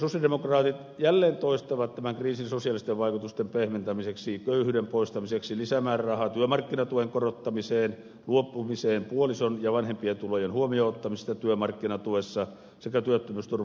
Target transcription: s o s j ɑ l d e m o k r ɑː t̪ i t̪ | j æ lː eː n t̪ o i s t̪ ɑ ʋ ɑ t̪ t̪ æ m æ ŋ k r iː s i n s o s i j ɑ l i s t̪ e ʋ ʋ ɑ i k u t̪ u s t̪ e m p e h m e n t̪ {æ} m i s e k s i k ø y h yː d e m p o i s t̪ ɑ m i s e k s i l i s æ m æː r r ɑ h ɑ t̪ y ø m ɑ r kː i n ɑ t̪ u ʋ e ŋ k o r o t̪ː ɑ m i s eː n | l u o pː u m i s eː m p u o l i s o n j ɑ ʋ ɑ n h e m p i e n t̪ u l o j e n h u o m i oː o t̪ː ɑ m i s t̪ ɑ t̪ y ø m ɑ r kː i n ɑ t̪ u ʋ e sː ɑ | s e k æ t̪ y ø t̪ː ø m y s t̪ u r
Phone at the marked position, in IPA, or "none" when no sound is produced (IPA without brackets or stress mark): æ